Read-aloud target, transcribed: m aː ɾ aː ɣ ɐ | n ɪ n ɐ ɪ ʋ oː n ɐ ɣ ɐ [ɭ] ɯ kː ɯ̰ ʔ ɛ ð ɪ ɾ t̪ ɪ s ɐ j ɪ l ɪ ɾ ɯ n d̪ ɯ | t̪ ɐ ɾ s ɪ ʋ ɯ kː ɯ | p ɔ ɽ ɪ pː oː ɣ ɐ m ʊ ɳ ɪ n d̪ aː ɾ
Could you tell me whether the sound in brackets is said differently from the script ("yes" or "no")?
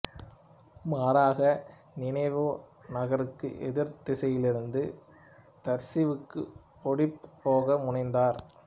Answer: yes